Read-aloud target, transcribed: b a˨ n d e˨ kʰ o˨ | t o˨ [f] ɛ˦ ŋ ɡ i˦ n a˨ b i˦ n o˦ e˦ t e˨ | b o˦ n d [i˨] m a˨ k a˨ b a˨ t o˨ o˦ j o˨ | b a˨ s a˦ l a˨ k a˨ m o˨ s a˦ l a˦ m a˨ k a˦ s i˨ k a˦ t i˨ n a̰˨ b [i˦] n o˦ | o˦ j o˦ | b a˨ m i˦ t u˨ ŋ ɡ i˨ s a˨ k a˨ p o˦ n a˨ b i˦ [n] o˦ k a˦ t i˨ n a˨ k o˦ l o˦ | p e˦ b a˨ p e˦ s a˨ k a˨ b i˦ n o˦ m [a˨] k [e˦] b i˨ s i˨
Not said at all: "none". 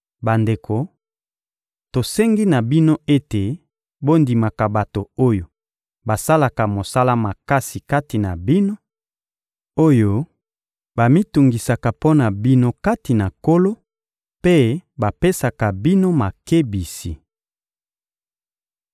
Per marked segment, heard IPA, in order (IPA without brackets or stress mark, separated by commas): s, i˨, i˦, n, a˨, e˦